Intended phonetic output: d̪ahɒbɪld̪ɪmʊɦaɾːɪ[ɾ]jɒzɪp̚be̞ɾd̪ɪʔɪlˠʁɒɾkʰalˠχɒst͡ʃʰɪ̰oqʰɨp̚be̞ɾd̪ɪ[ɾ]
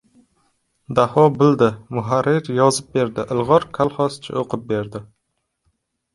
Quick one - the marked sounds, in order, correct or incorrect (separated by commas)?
correct, incorrect